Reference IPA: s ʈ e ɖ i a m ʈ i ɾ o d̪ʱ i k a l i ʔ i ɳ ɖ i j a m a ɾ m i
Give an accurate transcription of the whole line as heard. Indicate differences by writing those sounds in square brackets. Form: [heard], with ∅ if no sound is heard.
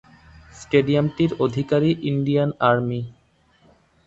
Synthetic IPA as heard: s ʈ e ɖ i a m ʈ i ɾ o d̪ʱ i k a [ɾ] i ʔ i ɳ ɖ i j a [n] a ɾ m i